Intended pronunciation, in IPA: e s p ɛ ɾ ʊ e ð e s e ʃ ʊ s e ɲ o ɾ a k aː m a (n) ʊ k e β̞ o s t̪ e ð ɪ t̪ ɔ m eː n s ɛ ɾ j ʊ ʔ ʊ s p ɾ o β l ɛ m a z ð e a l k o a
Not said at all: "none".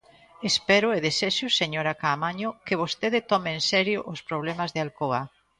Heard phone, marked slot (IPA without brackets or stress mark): ɲ